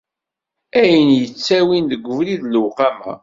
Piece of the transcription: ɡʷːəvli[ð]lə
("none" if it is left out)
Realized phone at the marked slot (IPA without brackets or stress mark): ð